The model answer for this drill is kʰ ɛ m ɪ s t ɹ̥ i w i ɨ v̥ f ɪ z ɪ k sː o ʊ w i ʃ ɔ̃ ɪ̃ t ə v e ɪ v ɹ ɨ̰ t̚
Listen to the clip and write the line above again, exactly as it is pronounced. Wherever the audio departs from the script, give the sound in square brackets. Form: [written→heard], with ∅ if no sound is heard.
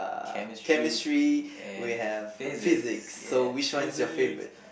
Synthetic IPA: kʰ ɛ m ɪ s t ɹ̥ i w i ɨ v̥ f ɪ z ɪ k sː o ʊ w i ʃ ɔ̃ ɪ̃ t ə [v→f] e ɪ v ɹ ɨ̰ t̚